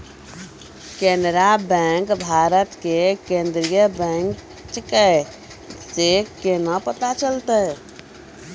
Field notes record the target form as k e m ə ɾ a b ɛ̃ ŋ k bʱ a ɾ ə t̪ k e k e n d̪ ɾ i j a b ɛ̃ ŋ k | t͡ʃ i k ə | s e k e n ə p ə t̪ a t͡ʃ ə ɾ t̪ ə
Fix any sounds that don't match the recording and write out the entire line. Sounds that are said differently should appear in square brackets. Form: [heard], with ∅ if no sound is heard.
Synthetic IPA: k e [n] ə ɾ a b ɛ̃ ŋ k bʱ a ɾ ə t̪ k e k e n d̪ ɾ i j [ə] b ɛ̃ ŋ k | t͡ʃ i k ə | s e k e n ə p ə t̪ a t͡ʃ ə [l] t̪ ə